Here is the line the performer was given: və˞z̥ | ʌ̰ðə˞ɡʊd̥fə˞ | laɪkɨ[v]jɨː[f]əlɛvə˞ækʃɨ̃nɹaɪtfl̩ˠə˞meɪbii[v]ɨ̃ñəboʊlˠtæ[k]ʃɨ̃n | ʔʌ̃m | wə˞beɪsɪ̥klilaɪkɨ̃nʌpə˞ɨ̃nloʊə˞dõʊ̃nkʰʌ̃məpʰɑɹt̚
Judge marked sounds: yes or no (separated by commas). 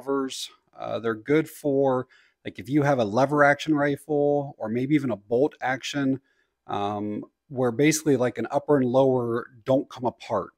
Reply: no, no, yes, yes